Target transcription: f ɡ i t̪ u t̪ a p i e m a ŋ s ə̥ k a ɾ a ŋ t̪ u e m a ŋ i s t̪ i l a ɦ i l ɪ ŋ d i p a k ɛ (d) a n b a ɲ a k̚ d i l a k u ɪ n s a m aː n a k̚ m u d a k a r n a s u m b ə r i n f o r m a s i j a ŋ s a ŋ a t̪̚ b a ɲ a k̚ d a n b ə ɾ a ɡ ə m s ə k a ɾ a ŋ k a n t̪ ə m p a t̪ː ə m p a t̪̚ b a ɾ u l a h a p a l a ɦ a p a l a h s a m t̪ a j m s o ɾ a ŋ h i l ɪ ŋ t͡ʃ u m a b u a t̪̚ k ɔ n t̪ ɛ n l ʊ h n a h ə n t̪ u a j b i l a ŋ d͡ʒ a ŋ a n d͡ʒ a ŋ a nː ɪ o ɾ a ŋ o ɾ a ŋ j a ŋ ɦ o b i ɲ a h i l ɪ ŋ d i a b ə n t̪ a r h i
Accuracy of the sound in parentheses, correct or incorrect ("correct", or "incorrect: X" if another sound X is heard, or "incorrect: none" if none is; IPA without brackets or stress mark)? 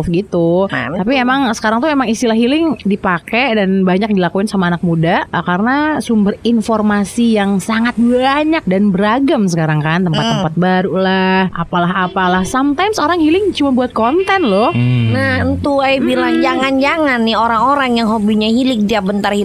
correct